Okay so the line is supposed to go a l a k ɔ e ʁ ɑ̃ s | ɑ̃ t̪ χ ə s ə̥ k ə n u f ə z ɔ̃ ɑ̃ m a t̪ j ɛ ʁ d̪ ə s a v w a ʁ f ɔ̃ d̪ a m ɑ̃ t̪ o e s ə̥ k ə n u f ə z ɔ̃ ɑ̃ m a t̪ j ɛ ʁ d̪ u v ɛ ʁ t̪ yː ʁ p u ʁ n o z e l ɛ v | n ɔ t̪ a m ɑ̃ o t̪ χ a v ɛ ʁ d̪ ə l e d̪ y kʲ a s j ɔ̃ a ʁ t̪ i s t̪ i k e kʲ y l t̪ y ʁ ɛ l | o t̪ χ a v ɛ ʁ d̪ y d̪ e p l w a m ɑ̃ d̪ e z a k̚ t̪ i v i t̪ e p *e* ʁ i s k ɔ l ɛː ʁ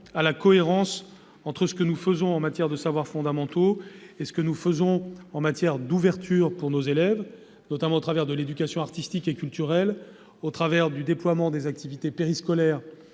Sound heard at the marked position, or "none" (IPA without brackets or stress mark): e